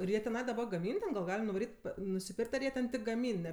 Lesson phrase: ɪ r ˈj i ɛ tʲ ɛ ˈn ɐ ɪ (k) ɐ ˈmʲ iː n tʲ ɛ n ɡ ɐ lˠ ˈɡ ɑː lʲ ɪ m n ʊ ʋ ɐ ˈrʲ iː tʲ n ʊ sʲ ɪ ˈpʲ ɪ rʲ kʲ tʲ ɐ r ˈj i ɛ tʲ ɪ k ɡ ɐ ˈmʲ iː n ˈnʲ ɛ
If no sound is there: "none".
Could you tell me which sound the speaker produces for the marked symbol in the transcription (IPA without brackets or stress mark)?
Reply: ɡ